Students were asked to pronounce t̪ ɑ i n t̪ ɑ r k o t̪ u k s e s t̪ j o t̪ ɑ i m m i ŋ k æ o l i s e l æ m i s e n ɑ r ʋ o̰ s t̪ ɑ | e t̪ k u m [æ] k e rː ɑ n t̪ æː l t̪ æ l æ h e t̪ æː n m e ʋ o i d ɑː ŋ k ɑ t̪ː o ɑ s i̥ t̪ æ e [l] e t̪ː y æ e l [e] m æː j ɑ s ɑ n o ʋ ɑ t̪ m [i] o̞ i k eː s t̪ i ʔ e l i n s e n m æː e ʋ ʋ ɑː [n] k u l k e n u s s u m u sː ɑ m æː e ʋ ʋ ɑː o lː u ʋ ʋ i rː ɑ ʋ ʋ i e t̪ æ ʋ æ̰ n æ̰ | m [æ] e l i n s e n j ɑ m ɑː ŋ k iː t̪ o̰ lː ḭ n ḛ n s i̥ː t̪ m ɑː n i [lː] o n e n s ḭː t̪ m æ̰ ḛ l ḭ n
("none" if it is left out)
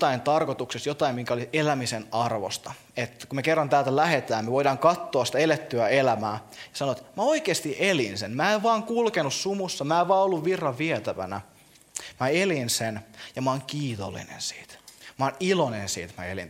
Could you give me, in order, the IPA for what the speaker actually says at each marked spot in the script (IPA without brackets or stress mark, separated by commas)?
e, l, æ, æ, ŋ, æ, l